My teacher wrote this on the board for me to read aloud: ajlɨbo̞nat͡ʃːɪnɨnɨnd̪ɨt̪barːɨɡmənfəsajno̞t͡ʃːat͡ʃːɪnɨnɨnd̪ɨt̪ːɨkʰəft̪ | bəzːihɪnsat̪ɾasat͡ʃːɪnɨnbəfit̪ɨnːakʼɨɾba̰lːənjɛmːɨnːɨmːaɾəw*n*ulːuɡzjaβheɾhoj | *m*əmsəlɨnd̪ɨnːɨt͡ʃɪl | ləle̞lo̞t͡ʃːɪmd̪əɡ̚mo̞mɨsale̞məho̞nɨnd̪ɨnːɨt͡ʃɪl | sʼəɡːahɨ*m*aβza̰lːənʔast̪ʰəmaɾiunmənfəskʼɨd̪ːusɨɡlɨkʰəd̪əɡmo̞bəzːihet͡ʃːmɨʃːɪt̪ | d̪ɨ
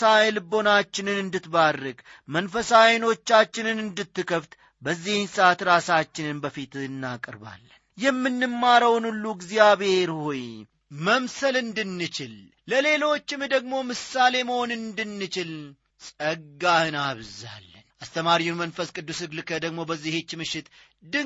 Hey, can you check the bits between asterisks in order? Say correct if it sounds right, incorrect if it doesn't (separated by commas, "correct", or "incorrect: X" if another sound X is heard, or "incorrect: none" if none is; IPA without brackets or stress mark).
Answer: correct, correct, incorrect: n